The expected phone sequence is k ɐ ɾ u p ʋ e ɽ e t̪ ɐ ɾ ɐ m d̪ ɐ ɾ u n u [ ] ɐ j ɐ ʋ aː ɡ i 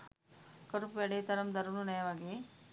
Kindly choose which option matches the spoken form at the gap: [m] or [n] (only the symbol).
n